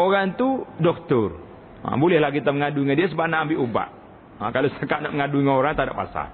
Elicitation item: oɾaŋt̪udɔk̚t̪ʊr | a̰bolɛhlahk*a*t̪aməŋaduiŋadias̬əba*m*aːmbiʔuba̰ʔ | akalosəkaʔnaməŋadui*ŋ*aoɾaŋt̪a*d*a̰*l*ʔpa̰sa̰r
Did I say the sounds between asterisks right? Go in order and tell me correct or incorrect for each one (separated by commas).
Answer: incorrect, incorrect, correct, correct, incorrect